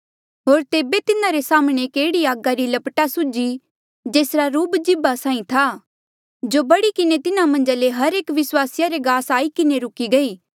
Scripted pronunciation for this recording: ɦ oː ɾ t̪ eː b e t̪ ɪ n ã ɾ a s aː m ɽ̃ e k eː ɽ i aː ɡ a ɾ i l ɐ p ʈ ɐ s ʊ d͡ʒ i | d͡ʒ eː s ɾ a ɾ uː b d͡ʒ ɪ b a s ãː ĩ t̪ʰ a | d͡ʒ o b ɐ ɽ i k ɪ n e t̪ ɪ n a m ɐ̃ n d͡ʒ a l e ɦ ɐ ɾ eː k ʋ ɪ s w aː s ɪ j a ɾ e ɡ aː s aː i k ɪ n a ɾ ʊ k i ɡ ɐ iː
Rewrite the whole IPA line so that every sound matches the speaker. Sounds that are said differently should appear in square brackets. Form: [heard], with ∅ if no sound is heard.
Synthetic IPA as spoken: ɦ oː ɾ t̪ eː b e t̪ ɪ n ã ɾ [e] s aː m ɽ̃ e k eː ɽ i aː ɡ a ɾ i l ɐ p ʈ [a] s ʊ d͡ʒ i | d͡ʒ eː s ɾ a ɾ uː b d͡ʒ ɪ b a s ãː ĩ t̪ʰ a | d͡ʒ o b ɐ ɽ i k ɪ n e t̪ ɪ n a m ɐ̃ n d͡ʒ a l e ɦ ɐ ɾ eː k ʋ ɪ s w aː s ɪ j a ɾ e ɡ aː s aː i k ɪ n [e] ɾ ʊ k i ɡ ɐ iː